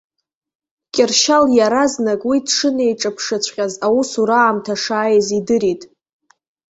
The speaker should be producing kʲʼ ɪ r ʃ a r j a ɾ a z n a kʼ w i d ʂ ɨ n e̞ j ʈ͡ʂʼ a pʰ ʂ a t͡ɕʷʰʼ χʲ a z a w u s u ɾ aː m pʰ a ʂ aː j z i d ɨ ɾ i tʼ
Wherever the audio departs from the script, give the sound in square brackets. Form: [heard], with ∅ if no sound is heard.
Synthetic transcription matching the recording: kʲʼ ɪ r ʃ a [l] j a ɾ a z n a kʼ w i d ʂ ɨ n e̞ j ʈ͡ʂʼ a pʰ ʂ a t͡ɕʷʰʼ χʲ a z a w u s u ɾ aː m [tʰ] a ʂ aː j z i d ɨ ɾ i tʼ